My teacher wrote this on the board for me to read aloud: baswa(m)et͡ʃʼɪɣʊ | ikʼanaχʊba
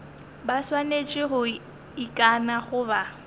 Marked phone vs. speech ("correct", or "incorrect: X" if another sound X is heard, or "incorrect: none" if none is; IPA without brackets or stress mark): incorrect: n